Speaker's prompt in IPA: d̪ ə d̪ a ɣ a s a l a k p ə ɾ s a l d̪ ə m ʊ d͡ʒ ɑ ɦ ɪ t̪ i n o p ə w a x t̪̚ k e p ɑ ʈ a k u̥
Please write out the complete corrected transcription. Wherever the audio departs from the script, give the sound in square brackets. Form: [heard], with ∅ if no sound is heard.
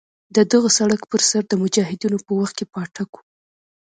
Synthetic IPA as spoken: d̪ ə d̪ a ɣ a s a [ɽ] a k p ə ɾ s a [ɾ] d̪ ə m ʊ d͡ʒ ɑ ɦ ɪ [d̪] i n o p ə w a x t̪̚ k e p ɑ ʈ a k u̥